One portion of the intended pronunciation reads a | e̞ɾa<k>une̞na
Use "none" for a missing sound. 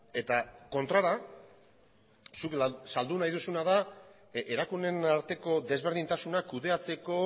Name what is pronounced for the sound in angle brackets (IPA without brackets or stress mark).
k